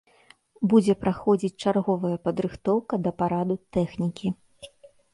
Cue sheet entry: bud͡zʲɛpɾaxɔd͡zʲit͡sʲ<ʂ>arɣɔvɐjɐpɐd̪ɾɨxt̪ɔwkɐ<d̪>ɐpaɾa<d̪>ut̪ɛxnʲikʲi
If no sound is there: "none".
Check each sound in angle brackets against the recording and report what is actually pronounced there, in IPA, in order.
t͡ʂ, d̪, d̪

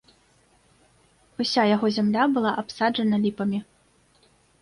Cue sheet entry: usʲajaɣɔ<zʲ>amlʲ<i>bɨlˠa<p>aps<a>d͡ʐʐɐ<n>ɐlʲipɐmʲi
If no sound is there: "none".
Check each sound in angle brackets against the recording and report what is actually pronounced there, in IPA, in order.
zʲ, a, ʔ, a, n

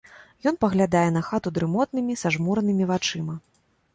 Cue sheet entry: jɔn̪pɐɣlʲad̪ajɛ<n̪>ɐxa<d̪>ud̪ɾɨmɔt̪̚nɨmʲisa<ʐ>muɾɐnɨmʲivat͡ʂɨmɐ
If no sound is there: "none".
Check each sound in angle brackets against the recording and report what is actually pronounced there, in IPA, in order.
n̪, t̪, ʐ

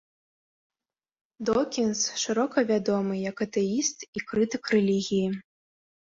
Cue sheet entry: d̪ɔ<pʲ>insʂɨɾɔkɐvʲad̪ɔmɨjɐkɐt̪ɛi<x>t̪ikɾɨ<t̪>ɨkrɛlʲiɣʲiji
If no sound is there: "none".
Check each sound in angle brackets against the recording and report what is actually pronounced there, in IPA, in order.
kʲ, s, t̪

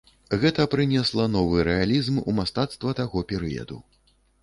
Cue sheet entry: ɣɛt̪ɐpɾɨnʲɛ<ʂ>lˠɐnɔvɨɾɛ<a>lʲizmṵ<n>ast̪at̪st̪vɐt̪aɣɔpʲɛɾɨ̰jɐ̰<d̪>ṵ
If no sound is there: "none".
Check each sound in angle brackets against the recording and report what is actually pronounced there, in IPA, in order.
s, a, m, d̪

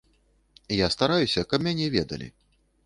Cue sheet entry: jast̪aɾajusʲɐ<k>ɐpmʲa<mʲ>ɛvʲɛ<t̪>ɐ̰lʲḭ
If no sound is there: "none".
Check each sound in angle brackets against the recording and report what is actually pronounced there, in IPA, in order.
k, nʲ, d̪

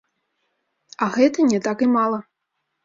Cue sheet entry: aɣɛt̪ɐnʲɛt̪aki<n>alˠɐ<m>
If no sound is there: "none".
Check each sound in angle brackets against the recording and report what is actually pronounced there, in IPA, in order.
m, none

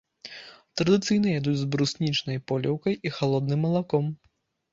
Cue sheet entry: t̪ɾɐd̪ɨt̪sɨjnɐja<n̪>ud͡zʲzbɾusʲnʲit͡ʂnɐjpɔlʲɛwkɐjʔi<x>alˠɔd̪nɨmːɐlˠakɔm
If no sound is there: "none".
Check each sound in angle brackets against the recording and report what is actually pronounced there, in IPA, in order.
d̪, x

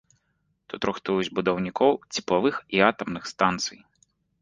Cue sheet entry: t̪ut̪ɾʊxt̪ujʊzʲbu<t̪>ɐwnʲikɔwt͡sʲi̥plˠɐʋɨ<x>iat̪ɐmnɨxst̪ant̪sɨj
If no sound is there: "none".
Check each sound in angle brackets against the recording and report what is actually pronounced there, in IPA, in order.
d̪, x

